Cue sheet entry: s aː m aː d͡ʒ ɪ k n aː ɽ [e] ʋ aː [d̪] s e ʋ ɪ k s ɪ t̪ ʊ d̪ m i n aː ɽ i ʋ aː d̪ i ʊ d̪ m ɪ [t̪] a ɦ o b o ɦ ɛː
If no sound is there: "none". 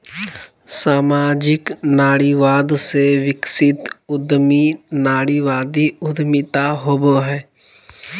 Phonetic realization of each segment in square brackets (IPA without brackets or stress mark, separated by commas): i, d̪, t̪